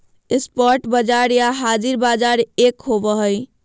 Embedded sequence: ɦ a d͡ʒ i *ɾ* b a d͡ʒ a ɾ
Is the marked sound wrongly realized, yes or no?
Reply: no